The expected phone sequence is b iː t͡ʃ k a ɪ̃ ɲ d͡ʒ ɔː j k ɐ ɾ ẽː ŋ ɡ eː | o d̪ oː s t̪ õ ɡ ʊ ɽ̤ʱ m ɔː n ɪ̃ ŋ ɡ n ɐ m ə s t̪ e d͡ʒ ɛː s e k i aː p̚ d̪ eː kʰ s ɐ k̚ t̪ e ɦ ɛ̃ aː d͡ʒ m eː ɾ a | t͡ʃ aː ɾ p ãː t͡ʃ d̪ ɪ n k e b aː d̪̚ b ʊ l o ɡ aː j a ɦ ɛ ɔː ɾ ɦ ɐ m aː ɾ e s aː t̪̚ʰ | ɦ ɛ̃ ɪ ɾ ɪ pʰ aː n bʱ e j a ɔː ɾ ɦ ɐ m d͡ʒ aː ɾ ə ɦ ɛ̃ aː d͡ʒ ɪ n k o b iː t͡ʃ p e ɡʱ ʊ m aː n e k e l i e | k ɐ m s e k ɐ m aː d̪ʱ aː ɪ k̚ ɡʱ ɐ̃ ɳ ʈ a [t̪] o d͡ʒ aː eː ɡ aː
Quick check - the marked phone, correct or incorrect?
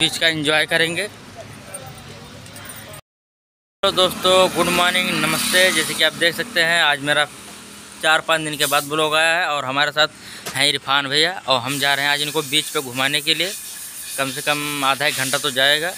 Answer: correct